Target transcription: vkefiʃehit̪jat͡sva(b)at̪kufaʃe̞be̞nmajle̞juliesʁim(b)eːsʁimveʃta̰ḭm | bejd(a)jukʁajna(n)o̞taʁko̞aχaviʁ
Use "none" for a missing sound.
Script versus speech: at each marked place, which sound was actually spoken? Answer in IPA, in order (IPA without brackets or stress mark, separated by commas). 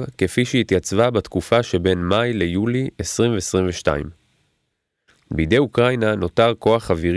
b, v, e, n